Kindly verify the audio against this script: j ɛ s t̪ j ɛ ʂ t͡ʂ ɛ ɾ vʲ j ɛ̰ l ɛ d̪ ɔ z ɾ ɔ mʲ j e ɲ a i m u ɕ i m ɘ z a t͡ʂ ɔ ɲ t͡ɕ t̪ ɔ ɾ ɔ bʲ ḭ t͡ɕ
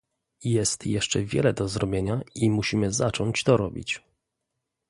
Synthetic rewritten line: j ɛ s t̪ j ɛ ʂ t͡ʂ ɛ vʲ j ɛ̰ l ɛ d̪ ɔ z ɾ ɔ bʲ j e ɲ a i m u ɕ i m ɘ z a t͡ʂ ɔ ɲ t͡ɕ t̪ ɔ ɾ ɔ bʲ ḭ t͡ɕ